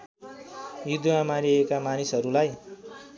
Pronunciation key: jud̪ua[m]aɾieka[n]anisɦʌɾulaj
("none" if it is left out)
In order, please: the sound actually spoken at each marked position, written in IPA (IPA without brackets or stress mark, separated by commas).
m, m